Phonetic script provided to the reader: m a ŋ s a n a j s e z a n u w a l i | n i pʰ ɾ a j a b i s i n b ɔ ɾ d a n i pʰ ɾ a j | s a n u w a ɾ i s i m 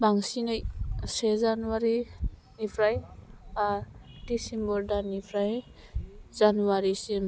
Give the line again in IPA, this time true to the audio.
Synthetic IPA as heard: b a ŋ s i n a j s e z a n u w a ɾ i | n i pʰ ɾ a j a d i s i m b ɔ ɾ d a n i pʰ ɾ a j | z a n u w a ɾ i s i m